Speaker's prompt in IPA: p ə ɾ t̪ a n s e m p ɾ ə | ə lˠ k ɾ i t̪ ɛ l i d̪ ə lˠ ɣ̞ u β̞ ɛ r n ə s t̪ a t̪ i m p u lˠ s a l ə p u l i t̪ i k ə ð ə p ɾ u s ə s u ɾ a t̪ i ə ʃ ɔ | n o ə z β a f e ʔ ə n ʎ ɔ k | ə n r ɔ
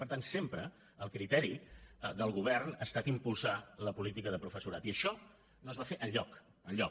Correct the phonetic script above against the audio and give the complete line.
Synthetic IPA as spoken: p ə ɾ t̪ a n s e m p ɾ ə | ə lˠ k ɾ i t̪ ɛ ɾ i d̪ ə lˠ ɣ̞ u β̞ ɛ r n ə s t̪ a t̪ i m p u lˠ s a l ə p u l i t̪ i k ə ð ə p ɾ u f ə s u ɾ a t̪ i ə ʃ ɔ | n o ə z β a f e ʔ ə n ʎ ɔ k | ə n ʎ ɔ

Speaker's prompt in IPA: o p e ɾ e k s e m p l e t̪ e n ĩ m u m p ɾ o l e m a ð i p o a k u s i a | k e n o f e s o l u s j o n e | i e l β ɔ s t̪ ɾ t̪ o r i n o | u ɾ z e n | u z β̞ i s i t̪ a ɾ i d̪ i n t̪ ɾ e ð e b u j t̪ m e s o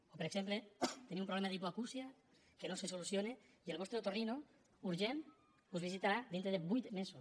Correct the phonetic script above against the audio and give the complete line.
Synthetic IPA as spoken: o p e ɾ e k s e m p l e t̪ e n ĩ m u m p ɾ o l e m a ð i p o a k u s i a | k e n o s e s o l u s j o n e | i e l β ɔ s t̪ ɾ t̪ o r i n o | u ɾ ʒ e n | u z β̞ i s i t̪ a ɾ a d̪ i n t̪ ɾ e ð e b u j t̪ m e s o

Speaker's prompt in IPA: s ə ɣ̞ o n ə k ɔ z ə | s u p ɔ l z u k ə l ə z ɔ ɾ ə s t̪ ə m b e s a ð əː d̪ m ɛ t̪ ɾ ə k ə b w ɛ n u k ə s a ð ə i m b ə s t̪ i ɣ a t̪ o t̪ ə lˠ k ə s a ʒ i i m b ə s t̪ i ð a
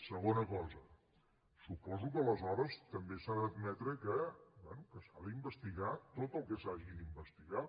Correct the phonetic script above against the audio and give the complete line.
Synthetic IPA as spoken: s ə ɣ̞ o n ə k ɔ z ə | s u p ɔ z u k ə l ə z ɔ ɾ ə s t̪ ə m b e s a ð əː d̪ m ɛ t̪ ɾ ə k ə b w ɛ n u k ə s a ð ə i m b ə s t̪ i ɣ a t̪ o t̪ ə lˠ k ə s a ʒ i i m b ə s t̪ i ɣ a

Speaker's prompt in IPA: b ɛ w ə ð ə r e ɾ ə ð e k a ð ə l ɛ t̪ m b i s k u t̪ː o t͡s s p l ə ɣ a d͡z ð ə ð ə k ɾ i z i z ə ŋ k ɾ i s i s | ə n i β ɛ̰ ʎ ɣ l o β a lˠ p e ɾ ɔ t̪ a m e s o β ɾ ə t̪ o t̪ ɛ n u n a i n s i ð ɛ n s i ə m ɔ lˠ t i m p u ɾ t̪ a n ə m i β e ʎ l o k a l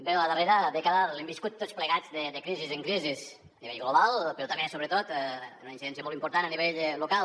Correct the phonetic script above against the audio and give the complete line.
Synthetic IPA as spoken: b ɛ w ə ð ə r e ɾ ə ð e k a ð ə l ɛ m b i s k u t̪ː o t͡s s p l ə ɣ a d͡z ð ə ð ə k ɾ i z i z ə ŋ k ɾ i z i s | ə n i β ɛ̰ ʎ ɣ l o β a lˠ p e ɾ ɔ t̪ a m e s o β ɾ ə t̪ o t̪ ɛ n u n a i n s i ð ɛ n s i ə m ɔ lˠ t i m p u ɾ t̪ a n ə n i β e ʎ l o k a l

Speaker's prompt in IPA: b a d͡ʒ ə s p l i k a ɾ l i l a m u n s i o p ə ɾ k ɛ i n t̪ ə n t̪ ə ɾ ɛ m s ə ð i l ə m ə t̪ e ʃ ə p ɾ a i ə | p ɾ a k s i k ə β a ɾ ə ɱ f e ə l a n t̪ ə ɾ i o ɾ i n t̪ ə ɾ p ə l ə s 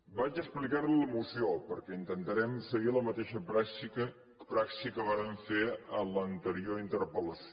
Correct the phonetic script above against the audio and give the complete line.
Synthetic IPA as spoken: b a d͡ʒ ə s p l i k a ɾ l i l ə m u s i o p ə ɾ k ɛ i n t̪ ə n t̪ ə ɾ ɛ m s ə ɣ i l ə m ə t̪ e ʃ ə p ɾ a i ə | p ɾ a k s i k ə β a ɾ ə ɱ f e ə l ə n t̪ ə ɾ i o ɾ i n t̪ ə ɾ p ə l ə s

